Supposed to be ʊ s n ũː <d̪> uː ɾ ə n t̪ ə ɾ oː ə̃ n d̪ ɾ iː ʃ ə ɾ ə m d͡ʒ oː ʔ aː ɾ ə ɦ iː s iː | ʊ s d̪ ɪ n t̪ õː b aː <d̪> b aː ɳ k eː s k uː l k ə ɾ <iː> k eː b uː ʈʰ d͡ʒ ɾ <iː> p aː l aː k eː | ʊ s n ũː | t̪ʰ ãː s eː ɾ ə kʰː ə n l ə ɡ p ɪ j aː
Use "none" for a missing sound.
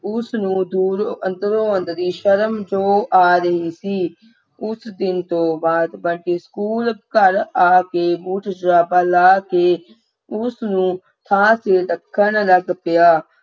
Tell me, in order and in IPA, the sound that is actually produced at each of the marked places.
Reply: d̪, d̪, aː, aː

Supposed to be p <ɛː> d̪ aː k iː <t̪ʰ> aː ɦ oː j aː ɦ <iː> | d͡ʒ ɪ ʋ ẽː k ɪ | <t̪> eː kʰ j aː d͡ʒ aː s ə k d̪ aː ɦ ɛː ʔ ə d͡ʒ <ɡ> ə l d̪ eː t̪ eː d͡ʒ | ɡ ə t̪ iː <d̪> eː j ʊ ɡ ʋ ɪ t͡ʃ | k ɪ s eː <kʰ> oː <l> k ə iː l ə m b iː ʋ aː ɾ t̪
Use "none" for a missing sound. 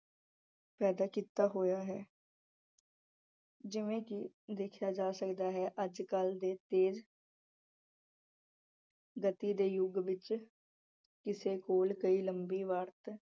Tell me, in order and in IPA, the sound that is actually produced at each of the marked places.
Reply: ɛː, t̪, ɛː, d̪, k, d̪, k, l

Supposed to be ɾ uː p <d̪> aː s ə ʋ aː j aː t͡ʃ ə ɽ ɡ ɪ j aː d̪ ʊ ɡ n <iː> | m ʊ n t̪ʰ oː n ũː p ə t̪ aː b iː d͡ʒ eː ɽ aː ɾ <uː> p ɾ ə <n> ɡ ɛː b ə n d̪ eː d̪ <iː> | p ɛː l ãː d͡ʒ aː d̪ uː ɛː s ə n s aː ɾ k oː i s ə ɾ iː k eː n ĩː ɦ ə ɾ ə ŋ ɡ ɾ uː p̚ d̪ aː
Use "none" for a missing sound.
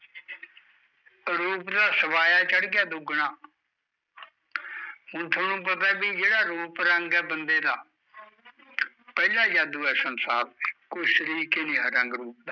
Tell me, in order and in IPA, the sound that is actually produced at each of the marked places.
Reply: d̪, aː, uː, ŋ, aː

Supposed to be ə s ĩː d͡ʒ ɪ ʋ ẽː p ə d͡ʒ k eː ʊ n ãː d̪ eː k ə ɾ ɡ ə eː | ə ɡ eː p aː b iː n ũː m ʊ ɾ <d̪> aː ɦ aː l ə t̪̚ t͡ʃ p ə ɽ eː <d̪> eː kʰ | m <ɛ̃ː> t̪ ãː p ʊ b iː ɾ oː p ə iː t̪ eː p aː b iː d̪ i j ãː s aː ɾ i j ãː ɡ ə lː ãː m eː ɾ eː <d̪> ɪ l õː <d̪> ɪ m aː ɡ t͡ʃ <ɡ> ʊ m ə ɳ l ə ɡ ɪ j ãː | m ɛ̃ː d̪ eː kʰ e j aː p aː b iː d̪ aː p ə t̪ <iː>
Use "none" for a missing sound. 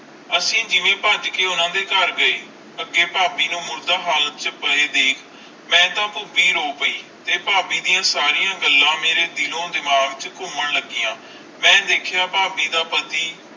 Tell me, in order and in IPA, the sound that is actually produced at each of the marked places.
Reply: d̪, d̪, ɛ̃ː, d̪, d̪, k, iː

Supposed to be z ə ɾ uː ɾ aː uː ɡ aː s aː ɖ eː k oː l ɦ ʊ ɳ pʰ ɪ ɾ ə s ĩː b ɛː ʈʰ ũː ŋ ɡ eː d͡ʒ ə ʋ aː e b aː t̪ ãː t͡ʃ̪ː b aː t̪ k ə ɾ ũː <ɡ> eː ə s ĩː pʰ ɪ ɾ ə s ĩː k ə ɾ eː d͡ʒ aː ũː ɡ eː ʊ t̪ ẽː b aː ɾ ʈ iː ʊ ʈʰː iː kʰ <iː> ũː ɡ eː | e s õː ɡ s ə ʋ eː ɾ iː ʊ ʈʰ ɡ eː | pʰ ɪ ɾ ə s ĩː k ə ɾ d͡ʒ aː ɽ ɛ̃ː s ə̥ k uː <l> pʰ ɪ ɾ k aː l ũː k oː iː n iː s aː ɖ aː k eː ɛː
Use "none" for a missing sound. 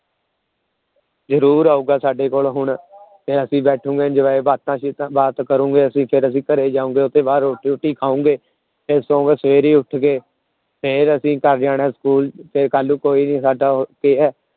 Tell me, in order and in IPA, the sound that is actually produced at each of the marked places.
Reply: ɡ, aː, l

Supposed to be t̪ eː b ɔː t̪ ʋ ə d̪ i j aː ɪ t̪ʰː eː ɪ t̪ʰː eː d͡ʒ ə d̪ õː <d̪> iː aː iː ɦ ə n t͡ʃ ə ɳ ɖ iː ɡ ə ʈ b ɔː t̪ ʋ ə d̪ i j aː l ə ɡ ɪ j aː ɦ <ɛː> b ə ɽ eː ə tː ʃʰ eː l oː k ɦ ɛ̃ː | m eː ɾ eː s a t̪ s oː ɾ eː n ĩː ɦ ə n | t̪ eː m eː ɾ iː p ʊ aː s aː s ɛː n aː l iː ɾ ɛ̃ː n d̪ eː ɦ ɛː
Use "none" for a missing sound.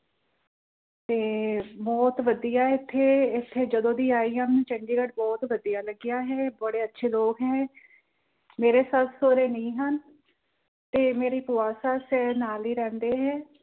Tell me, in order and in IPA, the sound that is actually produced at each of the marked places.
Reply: d̪, ɛː

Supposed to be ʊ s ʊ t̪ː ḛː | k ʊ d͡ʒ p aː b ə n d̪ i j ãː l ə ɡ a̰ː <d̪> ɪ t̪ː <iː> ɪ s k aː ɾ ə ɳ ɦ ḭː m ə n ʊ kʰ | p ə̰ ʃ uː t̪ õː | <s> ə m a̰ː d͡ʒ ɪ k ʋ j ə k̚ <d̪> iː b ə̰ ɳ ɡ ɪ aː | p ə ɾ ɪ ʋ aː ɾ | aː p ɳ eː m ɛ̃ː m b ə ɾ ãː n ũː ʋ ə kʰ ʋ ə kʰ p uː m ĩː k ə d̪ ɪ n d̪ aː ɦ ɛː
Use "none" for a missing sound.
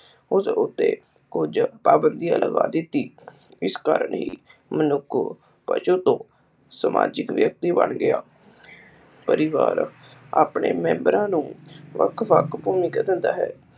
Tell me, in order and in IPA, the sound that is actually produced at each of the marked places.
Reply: d̪, iː, s, t̪

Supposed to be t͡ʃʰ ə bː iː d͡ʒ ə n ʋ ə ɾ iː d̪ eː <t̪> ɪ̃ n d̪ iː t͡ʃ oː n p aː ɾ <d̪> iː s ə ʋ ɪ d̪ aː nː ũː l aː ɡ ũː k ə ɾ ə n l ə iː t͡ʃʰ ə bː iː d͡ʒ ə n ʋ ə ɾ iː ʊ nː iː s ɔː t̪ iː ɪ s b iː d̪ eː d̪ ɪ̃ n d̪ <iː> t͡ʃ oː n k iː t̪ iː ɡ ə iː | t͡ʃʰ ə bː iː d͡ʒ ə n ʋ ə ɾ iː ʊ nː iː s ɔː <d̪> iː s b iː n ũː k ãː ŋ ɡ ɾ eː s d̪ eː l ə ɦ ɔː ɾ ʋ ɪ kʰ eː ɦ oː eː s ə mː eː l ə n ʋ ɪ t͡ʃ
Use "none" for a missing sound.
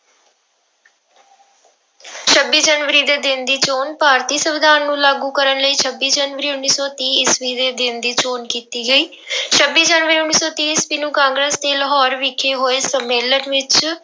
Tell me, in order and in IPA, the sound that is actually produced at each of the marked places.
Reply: d̪, t̪, iː, t̪

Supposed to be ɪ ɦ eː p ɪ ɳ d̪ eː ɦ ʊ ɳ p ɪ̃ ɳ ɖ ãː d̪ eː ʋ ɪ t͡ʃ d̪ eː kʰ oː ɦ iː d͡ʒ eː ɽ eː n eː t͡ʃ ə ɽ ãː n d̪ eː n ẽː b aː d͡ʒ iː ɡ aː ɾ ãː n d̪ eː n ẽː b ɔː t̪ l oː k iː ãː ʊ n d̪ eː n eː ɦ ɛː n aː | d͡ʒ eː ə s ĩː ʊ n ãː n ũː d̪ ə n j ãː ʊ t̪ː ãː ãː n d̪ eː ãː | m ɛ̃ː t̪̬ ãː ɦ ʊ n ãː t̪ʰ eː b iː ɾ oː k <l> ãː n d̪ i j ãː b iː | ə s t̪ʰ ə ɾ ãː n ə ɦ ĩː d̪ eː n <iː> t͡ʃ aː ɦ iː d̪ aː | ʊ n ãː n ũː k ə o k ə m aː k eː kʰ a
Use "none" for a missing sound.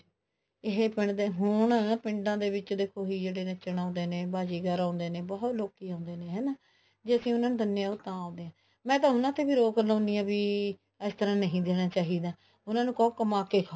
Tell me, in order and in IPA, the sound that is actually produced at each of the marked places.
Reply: l, aː

